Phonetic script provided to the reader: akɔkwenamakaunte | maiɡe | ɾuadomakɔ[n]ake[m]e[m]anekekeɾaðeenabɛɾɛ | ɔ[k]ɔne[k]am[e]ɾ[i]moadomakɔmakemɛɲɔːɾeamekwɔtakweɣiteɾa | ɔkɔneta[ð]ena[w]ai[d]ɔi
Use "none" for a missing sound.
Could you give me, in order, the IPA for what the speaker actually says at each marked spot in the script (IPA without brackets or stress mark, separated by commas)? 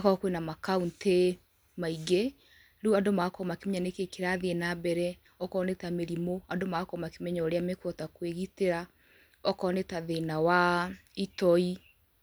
m, m, ɲ, k, t, e, i, ð, w, t